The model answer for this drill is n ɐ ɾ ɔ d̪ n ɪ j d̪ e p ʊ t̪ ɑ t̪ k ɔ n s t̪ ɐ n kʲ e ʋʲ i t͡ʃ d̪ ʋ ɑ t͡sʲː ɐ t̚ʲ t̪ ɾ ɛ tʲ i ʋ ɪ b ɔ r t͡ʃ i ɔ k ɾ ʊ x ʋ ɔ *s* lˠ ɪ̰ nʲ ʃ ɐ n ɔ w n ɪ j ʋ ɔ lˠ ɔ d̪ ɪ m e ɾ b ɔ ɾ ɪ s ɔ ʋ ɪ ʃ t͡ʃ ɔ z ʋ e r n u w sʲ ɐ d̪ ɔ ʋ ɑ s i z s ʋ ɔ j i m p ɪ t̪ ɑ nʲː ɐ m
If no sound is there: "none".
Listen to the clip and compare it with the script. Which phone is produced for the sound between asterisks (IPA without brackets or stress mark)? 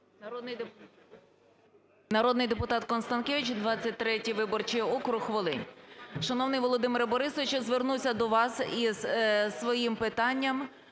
none